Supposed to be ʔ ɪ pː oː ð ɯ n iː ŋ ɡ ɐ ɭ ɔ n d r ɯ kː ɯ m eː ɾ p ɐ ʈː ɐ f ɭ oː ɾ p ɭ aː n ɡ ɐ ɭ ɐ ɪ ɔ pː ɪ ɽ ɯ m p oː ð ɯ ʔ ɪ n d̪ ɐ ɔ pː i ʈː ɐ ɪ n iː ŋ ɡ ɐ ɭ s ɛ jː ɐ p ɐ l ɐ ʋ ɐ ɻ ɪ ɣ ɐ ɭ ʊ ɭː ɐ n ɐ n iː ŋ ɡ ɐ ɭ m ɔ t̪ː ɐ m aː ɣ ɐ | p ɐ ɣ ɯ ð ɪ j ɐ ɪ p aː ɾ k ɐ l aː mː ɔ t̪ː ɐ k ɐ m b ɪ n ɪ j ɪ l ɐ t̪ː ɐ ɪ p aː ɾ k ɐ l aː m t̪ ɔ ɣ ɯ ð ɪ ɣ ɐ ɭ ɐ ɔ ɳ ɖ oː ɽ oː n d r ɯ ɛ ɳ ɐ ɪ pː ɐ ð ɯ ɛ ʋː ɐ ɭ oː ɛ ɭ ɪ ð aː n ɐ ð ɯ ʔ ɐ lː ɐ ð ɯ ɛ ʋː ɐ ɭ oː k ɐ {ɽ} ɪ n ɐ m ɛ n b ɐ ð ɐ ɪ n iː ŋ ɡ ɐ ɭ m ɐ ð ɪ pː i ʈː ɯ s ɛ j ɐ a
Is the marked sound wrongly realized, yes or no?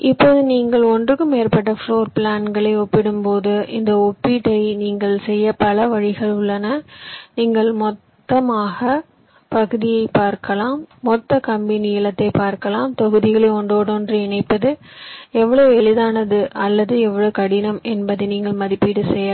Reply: no